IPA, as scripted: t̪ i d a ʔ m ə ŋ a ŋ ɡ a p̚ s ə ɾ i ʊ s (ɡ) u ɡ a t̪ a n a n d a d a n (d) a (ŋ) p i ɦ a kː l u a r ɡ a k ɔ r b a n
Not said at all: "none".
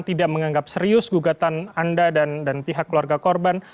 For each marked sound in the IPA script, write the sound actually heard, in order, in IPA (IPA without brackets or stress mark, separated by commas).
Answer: ɡ, d, n